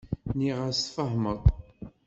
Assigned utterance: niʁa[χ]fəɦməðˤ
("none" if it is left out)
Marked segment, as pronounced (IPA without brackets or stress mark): s